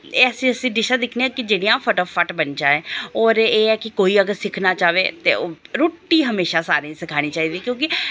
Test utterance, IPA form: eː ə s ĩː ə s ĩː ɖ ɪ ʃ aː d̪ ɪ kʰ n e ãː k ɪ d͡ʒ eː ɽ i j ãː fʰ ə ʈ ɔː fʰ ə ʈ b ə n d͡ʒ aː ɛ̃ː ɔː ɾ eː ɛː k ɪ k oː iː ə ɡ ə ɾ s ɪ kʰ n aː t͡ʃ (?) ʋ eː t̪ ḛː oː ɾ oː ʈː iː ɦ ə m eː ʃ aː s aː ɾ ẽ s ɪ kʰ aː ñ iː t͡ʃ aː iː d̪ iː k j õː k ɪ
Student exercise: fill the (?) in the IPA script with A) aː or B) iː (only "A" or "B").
A